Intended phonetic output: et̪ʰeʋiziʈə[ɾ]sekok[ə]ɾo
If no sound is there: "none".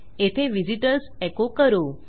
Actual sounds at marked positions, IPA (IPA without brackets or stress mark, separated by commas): ɾ, ə